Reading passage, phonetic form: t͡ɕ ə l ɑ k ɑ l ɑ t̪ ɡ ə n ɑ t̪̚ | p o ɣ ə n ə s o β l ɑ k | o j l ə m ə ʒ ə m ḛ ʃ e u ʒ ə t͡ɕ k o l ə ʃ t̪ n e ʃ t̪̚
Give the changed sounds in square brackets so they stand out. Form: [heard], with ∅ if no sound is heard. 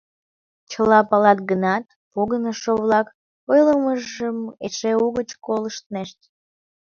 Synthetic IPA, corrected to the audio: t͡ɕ ə l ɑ [p] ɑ l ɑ t̪ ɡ ə n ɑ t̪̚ | p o ɣ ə n ə [ʃ] o β l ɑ k | o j l ə m ə ʒ ə m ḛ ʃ e u [ɣ] ə t͡ɕ k o l ə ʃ t̪ n e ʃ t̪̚